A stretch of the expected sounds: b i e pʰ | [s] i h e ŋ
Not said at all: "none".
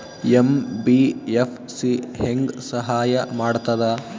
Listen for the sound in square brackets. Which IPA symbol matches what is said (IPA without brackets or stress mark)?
s